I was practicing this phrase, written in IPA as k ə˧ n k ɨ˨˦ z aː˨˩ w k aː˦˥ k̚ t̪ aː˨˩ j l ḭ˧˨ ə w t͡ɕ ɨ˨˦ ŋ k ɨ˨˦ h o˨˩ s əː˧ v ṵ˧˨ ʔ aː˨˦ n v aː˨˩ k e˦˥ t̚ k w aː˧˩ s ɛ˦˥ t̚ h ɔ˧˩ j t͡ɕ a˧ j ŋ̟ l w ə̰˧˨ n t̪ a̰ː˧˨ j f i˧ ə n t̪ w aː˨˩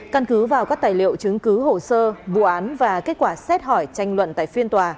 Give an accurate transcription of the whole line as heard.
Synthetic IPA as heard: k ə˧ n k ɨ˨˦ v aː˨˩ w k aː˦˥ k̚ t̪ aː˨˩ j l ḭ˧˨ ə w t͡ɕ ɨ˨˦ ŋ k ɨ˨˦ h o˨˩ s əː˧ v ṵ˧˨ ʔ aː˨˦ n v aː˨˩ k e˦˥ t̚ k w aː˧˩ s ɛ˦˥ t̚ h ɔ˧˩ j t͡ɕ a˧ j ŋ̟ l w ə̰˧˨ n t̪ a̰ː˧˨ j f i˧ ə n t̪ w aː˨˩